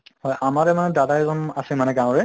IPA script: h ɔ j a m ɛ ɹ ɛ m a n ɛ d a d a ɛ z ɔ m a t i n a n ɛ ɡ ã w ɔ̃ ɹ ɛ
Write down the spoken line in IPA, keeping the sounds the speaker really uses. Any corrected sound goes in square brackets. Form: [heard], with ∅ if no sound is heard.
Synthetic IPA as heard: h ɔ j a m [a] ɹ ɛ m a n ɛ d a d a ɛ z ɔ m a [s] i [m] a n ɛ ɡ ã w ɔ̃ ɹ ɛ